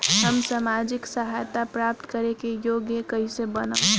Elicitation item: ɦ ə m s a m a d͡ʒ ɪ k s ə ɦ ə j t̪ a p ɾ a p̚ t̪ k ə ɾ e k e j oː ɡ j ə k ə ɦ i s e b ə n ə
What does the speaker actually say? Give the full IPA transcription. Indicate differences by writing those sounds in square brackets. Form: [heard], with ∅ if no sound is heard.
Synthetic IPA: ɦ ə m s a m a d͡ʒ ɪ k s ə ɦ [a] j t̪ a p ɾ a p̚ t̪ k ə ɾ e k e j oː ɡ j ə k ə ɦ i s e b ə n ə

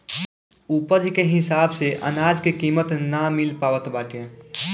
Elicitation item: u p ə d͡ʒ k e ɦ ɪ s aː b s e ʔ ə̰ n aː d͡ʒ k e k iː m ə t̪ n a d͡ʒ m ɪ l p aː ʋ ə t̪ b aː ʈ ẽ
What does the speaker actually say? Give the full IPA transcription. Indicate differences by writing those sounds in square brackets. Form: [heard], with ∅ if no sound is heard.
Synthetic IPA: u p ə d͡ʒ k e ɦ ɪ s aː b s e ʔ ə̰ n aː d͡ʒ k e k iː m ə t̪ n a [∅] m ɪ l p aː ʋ ə t̪ b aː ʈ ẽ

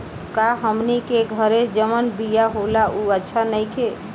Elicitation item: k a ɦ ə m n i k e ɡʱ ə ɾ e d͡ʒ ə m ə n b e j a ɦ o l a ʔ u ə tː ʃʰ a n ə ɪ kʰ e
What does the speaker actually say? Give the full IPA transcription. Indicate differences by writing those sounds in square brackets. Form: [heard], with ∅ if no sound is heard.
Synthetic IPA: k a ɦ ə m n i k e ɡʱ ə ɾ e d͡ʒ ə m ə n b [i] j a ɦ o l a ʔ u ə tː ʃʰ a n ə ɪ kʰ e

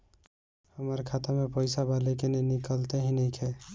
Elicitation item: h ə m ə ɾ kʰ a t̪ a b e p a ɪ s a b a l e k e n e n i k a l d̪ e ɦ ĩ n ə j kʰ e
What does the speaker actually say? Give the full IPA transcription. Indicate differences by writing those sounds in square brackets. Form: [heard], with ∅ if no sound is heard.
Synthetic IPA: h ə m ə ɾ kʰ a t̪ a [m] e p [ə] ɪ s a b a l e k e n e n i k [ə] l [t̪] e ɦ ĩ n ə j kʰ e

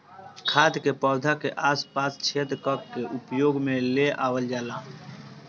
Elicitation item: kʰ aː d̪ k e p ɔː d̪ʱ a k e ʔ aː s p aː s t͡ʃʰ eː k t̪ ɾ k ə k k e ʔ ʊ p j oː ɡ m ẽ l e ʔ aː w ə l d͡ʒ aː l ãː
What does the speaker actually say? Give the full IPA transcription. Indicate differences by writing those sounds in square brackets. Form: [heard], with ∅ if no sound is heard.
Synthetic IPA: kʰ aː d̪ k e p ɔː d̪ʱ a k e ʔ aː s p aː s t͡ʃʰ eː [∅] t̪ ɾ k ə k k e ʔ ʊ p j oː ɡ m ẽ l e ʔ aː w ə l d͡ʒ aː l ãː

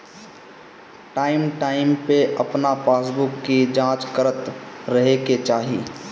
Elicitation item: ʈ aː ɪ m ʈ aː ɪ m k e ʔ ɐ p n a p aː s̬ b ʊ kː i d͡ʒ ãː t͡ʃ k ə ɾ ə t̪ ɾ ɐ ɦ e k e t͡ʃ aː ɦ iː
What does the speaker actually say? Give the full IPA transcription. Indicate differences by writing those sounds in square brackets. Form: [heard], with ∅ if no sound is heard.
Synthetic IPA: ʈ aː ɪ m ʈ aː ɪ m [p] e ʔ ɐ p n a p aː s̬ b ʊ kː i d͡ʒ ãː t͡ʃ k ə ɾ ə t̪ ɾ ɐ ɦ e k e t͡ʃ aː ɦ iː

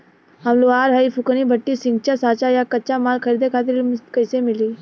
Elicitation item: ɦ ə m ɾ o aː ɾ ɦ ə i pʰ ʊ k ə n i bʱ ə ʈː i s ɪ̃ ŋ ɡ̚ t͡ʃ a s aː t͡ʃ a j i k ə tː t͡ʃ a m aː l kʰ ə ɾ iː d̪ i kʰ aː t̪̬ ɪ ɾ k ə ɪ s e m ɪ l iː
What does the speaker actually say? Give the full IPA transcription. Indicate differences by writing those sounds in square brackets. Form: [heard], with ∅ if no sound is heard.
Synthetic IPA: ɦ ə m [l] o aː ɾ ɦ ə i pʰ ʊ k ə n i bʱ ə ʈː i s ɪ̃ ŋ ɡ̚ t͡ʃ a s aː t͡ʃ a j [a] k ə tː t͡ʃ a m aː l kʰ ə ɾ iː d̪ [e] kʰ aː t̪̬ ɪ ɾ k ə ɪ s e m ɪ l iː

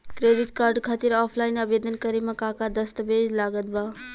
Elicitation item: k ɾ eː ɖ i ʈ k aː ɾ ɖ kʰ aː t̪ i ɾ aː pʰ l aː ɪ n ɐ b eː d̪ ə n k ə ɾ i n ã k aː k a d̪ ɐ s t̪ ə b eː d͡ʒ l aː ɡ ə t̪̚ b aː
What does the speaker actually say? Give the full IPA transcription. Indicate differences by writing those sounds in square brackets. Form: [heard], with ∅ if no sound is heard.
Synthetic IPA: k ɾ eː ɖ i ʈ k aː ɾ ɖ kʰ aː t̪ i ɾ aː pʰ l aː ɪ n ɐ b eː d̪ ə n k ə ɾ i [m] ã k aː k a d̪ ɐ s t̪ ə b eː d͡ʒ l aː ɡ ə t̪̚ b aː

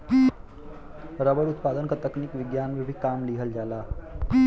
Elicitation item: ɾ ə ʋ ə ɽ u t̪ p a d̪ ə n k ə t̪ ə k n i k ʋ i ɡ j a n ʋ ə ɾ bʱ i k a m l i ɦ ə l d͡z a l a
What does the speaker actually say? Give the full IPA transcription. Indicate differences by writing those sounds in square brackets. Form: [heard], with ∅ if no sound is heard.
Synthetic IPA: ɾ ə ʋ ə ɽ u t̪ p a d̪ ə n k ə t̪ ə k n i k ʋ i ɡ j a n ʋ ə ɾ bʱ i k a m l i ɦ ə l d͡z a l a

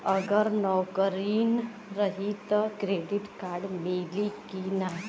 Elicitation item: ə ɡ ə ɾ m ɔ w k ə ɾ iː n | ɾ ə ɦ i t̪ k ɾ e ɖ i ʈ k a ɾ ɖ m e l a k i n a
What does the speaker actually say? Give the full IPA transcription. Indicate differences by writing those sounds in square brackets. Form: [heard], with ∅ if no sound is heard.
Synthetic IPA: ə ɡ ə ɾ [n] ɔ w k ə ɾ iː n | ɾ ə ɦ i t̪ k ɾ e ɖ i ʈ k a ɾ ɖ m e l [i] k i n a

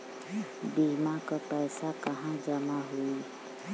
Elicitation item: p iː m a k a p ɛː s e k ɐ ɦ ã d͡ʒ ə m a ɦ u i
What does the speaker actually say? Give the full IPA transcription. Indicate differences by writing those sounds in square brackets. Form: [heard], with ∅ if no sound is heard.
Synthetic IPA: [b] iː m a k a p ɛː s [a] k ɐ ɦ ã d͡ʒ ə m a ɦ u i

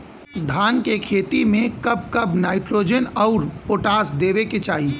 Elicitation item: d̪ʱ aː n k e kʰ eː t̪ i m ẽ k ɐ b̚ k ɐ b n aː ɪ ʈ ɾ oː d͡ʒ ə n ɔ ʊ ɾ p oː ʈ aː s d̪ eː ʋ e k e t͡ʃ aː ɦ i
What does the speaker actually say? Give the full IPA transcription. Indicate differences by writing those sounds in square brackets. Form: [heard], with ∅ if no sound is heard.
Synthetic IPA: d̪ʱ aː n k e kʰ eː t̪ i m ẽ k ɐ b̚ k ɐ b n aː ɪ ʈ ɾ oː d͡ʒ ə n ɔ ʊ ɾ p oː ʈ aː s d̪ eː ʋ e k e t͡ʃ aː ɦ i

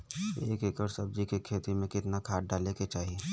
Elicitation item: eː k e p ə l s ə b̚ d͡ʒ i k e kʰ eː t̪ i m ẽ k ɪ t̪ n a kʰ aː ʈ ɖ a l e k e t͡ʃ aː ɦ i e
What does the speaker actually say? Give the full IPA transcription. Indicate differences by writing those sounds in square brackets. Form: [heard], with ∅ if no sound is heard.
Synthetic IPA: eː k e [k] ə [ɾ] s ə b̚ d͡ʒ i k e kʰ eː t̪ i m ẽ k ɪ t̪ n a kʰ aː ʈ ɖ a l e k e t͡ʃ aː ɦ i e

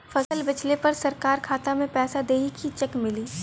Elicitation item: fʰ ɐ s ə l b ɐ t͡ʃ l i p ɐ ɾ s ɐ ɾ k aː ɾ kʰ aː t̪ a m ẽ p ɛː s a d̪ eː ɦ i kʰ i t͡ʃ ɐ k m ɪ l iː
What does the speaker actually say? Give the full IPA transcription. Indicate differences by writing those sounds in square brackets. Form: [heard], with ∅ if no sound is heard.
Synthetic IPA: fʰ ɐ s ə l b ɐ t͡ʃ l [e] p ɐ ɾ s ɐ ɾ k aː ɾ kʰ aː t̪ a m ẽ p ɛː s a d̪ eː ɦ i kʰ i t͡ʃ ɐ k m ɪ l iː

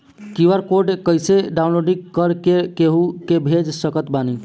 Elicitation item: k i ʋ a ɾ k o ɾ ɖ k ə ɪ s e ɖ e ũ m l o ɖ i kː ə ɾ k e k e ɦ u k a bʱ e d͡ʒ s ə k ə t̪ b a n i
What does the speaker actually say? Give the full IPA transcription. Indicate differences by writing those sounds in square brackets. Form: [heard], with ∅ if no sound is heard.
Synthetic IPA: k i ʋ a ɾ k o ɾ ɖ k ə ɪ s e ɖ [a] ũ [n] l o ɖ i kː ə ɾ k e k e ɦ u k [e] bʱ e d͡ʒ s ə k ə t̪ b a n i

